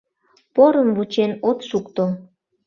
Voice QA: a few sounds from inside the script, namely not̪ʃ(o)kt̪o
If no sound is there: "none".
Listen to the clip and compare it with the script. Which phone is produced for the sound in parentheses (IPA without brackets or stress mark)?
u